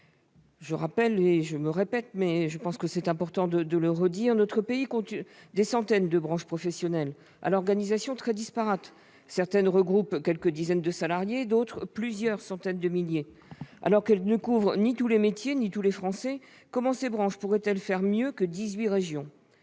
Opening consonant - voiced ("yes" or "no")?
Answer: yes